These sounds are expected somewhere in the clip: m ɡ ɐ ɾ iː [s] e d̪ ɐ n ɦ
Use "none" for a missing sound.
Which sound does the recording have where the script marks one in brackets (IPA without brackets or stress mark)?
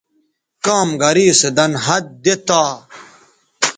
s